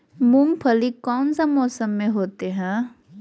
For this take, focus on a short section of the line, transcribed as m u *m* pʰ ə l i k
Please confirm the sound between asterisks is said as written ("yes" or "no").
yes